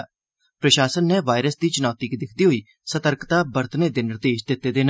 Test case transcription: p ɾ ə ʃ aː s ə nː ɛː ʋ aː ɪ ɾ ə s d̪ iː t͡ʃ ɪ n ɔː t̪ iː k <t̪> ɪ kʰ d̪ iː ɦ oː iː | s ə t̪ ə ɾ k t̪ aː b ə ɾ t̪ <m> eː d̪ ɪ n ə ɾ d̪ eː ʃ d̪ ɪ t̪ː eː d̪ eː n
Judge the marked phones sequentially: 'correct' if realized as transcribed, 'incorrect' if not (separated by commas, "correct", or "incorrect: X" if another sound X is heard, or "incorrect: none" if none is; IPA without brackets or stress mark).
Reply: incorrect: d̪, incorrect: n